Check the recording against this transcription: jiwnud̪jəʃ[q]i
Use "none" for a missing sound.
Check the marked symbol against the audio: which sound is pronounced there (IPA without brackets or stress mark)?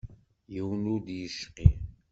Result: q